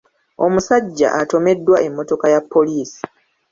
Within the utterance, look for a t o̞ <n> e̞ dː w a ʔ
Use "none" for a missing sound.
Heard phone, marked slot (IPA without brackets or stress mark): m